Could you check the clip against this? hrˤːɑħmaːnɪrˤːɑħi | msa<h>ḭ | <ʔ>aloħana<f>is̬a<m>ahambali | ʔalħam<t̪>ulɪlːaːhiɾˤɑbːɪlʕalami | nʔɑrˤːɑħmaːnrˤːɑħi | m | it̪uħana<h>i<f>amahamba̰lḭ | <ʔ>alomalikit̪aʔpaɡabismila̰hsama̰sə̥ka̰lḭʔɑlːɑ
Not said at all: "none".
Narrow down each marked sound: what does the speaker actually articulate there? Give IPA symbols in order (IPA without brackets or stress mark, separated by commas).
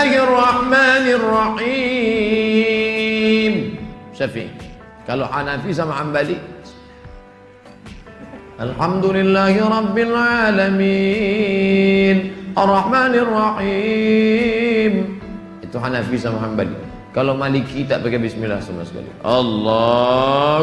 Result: f, k, f, m, d̪, f, s, k